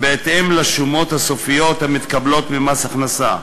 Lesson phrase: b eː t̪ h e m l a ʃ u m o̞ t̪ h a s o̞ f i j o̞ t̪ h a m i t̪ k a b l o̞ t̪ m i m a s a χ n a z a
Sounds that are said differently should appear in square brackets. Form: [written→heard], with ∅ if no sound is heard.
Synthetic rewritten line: b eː t̪ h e m l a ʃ u m o̞ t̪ h a s o̞ f i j o̞ t̪ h a m i t̪ k a b l o̞ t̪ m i m a s a χ n a [z→s] a